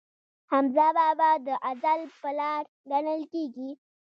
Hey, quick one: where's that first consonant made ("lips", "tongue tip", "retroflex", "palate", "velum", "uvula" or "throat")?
throat